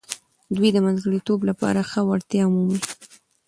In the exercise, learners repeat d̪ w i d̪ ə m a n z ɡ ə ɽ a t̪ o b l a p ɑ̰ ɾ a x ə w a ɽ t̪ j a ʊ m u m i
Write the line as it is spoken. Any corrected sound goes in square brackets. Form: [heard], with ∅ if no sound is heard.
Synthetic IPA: d̪ w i d̪ ə m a n z ɡ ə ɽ [i] t̪ o b l a p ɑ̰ ɾ a x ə w a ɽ t̪ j [ɑ] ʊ m u m i